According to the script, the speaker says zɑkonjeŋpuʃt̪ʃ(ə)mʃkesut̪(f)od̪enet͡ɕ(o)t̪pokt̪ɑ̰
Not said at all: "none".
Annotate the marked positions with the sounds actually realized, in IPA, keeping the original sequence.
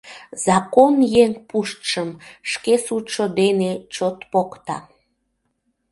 ə, ʃ, o

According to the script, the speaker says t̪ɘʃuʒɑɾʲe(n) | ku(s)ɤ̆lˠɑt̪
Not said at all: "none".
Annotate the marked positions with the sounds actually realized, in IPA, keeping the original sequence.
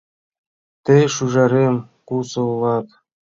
m, s

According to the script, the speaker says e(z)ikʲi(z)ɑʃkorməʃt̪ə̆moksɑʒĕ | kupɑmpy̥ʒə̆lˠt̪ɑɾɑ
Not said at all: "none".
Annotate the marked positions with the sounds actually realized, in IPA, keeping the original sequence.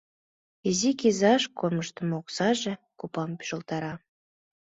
z, z

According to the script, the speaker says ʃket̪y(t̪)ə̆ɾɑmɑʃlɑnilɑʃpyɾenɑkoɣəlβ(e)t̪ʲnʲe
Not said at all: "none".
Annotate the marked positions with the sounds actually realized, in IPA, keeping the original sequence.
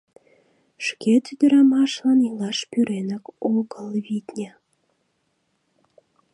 d̪, i

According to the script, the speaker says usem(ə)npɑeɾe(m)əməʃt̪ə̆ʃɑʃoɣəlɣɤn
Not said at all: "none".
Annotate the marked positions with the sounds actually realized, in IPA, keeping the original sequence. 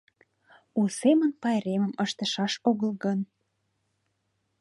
ə, m

